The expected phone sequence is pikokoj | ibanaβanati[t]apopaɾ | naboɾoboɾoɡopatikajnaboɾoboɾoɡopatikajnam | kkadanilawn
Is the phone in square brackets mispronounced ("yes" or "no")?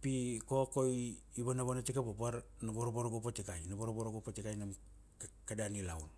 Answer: yes